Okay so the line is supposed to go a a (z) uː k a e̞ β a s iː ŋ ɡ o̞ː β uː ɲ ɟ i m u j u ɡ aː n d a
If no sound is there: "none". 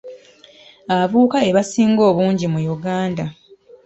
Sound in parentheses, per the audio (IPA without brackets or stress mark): v